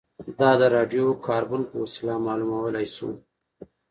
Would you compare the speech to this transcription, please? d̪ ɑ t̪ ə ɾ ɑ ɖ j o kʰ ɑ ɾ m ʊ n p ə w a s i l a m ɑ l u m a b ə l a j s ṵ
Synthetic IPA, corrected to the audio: d̪ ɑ d̪ ə ɾ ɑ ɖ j o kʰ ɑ ɾ b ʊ n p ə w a s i l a m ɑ l u m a w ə l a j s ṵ